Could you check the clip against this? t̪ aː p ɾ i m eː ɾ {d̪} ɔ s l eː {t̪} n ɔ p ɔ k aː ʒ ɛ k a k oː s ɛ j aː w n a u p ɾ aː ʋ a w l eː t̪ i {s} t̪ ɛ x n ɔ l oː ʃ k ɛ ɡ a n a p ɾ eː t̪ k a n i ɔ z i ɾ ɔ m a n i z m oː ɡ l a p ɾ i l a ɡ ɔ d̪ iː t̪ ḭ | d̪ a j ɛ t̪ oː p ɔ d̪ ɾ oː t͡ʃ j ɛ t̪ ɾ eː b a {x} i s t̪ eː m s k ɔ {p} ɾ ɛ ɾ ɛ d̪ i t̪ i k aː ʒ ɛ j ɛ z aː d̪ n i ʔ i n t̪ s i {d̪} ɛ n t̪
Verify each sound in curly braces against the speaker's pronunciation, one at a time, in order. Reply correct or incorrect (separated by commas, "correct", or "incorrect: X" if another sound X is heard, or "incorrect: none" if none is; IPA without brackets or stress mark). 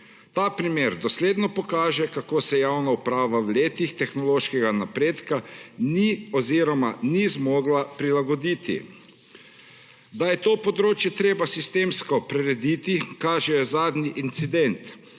correct, incorrect: d̪, incorrect: x, incorrect: s, correct, correct